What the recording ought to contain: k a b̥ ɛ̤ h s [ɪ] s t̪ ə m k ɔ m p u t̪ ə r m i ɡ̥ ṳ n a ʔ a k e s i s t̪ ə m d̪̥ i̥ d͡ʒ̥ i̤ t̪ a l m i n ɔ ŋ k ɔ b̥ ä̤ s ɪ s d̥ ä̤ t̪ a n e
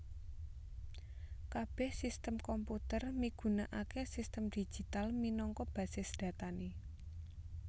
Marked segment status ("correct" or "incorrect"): incorrect